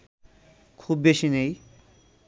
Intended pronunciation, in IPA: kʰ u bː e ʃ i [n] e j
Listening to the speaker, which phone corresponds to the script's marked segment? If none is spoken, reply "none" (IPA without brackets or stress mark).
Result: n